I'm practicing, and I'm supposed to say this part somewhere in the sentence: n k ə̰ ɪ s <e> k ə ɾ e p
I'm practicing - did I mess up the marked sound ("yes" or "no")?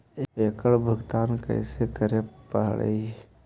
no